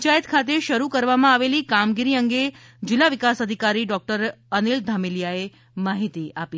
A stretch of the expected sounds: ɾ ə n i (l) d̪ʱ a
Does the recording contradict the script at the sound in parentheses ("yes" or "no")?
no